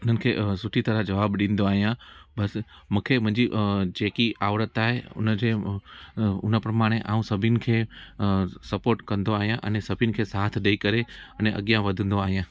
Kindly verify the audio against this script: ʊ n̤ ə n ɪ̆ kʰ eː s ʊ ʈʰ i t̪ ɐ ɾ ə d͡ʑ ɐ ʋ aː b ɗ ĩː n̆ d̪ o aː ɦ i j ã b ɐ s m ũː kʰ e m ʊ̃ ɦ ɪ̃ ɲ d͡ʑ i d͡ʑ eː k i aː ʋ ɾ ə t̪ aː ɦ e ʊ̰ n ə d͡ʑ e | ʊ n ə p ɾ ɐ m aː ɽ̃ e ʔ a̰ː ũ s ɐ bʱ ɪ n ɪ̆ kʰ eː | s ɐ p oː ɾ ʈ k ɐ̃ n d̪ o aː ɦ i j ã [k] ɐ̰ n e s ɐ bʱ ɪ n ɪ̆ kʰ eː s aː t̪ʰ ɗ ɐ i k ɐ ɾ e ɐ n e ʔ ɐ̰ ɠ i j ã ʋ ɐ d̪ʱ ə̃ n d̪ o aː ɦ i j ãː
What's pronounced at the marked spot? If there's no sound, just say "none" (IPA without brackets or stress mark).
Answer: ʔ